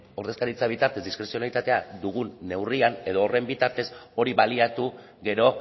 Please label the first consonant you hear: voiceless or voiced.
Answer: voiced